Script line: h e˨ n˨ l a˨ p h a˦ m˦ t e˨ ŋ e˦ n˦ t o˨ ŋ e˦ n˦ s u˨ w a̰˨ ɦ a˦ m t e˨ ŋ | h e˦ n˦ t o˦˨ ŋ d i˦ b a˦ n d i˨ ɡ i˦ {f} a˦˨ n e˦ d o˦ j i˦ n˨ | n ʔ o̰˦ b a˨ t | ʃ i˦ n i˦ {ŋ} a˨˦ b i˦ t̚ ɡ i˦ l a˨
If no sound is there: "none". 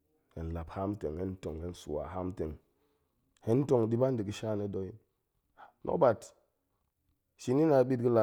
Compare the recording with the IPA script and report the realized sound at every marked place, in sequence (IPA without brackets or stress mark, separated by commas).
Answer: ʃ, n